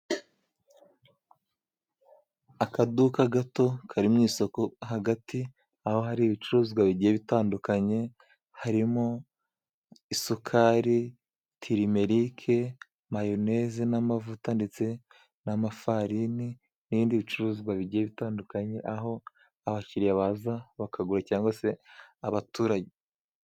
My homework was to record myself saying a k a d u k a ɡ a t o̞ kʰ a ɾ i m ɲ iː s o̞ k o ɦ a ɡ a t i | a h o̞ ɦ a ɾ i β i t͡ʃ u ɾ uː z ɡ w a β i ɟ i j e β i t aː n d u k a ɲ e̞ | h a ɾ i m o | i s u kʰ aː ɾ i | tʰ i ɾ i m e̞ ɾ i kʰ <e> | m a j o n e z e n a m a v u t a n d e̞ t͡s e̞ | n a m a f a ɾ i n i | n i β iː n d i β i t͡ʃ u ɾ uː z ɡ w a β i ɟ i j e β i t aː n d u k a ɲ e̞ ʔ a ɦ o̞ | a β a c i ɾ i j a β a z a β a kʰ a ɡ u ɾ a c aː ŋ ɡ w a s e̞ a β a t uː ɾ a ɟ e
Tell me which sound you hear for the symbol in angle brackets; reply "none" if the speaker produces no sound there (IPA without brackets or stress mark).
e